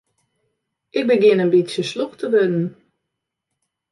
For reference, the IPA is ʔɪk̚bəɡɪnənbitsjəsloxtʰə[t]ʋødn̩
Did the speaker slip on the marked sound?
yes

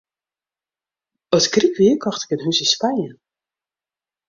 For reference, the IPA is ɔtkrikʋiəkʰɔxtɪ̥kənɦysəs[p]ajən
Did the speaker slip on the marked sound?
no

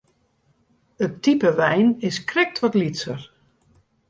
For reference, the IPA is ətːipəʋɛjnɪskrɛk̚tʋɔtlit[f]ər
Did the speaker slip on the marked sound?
yes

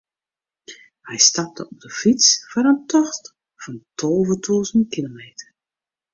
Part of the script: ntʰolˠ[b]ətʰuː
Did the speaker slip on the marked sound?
yes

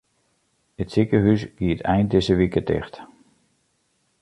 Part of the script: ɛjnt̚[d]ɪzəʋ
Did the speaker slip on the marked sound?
no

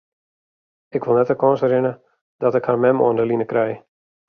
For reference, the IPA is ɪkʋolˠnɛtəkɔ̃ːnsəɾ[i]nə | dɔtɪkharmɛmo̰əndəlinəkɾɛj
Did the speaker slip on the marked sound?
yes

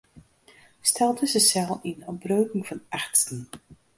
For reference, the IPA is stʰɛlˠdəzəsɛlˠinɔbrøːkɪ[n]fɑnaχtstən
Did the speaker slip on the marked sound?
yes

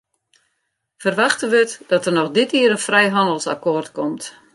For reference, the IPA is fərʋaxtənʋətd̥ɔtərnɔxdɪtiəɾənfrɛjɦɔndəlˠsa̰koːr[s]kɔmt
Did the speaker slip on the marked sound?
yes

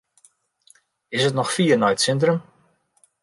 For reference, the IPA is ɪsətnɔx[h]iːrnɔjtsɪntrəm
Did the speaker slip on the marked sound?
yes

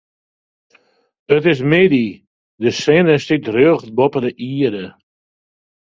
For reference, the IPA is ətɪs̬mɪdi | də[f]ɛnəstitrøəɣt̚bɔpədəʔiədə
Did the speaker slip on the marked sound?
yes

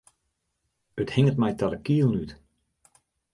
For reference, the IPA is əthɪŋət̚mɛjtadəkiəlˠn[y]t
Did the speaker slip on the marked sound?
no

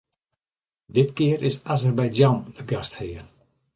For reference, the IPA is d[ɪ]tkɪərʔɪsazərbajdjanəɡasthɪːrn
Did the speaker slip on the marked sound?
no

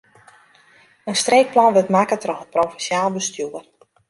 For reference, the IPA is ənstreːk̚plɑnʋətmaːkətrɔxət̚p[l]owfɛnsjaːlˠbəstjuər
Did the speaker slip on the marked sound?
yes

